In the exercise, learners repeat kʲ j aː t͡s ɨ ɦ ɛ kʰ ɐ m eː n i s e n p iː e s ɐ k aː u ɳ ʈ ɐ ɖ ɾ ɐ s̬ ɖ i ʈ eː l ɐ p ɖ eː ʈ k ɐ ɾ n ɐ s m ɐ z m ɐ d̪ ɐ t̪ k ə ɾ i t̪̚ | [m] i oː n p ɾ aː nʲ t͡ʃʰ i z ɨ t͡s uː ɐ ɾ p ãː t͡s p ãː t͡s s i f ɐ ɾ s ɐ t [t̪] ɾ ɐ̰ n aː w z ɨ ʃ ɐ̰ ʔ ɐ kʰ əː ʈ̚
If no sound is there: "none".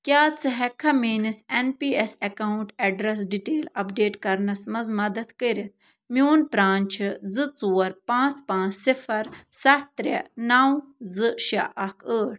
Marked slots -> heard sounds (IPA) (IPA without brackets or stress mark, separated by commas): m, t̪